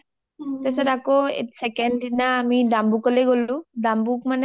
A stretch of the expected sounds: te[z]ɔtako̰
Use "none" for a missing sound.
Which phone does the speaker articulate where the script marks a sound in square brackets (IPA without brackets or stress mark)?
s